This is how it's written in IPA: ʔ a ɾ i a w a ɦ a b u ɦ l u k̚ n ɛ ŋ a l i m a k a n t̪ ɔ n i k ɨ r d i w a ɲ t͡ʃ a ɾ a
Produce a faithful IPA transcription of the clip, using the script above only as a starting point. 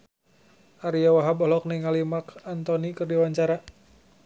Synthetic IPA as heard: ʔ a ɾ i a w a ɦ a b ɔ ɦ l ɔ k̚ n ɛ ŋ a l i m a k a n t̪ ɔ n i k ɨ r d i w a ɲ t͡ʃ a ɾ a